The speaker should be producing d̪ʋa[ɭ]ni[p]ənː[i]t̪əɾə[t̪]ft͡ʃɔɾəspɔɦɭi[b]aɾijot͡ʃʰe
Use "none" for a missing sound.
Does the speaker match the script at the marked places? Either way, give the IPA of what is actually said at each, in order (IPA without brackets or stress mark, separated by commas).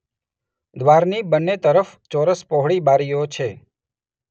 ɾ, b, e, none, b